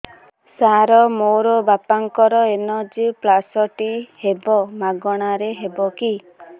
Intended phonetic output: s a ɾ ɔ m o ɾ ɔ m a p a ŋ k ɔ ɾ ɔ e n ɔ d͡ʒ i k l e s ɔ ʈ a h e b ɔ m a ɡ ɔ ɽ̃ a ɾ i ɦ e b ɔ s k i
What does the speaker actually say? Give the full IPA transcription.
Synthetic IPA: s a ɾ ɔ m o ɾ ɔ b a p a ŋ k ɔ ɾ ɔ e n ɔ d͡ʒ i p l a s ɔ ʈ i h e b ɔ m a ɡ ɔ ɽ̃ a ɾ e ɦ e b ɔ k i